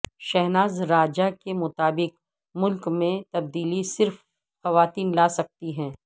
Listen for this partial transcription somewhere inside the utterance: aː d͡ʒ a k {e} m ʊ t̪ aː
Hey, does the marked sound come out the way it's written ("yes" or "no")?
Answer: yes